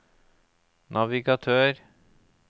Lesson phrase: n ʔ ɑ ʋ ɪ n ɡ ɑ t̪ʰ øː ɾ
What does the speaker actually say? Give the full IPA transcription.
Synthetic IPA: n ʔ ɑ ʋ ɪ ɡ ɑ t̪ʰ øː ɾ